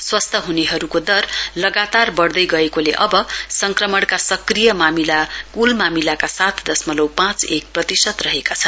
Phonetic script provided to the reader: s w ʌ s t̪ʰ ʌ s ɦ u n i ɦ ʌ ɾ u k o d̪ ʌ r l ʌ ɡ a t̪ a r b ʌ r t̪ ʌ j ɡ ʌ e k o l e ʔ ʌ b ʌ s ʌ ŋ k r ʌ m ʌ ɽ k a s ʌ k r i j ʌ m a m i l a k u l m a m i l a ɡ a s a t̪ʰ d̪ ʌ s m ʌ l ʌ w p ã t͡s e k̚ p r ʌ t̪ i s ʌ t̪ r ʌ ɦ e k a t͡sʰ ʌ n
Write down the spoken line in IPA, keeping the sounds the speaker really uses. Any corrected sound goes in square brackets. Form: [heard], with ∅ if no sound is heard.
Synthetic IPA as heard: s w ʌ s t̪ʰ ʌ [∅] ɦ u n [e] ɦ ʌ ɾ u k o d̪ ʌ r l ʌ ɡ a t̪ a r b ʌ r [d̪] ʌ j ɡ ʌ e k o l e ʔ ʌ b ʌ s ʌ ŋ k r ʌ m ʌ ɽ k a s ʌ k r i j ʌ m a m i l a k u l m a m i l a [k] a s a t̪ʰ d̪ ʌ s m ʌ l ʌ w p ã t͡s e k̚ p r ʌ t̪ i s ʌ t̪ r ʌ ɦ e k a t͡sʰ ʌ n